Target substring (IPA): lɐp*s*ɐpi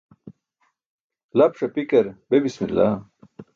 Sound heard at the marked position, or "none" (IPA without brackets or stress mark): ʂ